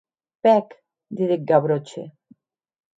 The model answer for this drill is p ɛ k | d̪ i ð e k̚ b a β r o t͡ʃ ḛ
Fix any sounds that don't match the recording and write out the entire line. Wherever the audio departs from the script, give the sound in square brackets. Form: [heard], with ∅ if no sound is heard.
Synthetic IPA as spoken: p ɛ k | d̪ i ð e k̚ [ɡ] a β [ɾ] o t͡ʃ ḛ